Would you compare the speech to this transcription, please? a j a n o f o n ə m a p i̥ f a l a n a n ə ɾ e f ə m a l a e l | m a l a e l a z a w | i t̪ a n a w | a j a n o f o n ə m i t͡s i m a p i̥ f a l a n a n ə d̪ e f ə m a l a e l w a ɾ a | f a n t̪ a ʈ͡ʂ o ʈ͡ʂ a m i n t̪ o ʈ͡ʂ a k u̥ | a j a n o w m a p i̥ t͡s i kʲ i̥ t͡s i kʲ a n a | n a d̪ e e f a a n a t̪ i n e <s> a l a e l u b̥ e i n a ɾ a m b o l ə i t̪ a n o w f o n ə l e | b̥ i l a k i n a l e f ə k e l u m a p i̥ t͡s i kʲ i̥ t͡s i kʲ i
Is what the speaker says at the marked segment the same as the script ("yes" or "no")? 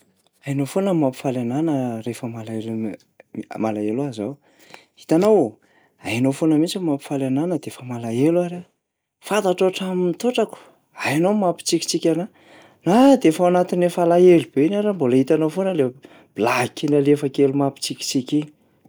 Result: no